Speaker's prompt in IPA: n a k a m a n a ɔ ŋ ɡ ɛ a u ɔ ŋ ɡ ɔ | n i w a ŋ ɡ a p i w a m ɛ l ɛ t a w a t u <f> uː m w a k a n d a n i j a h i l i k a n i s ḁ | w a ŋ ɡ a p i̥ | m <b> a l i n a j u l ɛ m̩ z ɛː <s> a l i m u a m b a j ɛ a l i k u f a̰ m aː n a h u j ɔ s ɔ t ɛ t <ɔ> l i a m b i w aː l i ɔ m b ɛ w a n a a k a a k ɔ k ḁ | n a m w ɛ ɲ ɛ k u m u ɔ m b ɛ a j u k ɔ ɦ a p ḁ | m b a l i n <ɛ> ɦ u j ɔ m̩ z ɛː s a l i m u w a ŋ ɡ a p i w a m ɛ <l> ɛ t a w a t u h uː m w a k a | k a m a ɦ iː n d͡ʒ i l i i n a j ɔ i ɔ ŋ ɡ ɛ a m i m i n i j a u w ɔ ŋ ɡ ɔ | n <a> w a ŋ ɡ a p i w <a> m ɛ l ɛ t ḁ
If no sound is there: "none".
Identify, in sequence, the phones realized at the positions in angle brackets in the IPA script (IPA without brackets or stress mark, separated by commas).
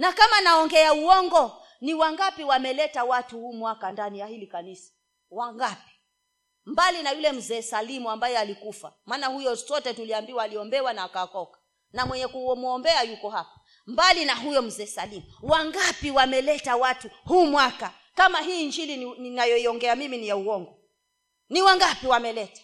h, b, s, u, a, l, i, a